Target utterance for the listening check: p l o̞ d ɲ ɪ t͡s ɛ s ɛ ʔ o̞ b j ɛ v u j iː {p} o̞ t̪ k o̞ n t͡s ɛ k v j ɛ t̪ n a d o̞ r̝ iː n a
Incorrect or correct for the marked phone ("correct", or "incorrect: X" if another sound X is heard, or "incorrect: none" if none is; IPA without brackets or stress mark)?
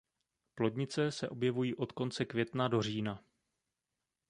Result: incorrect: ʔ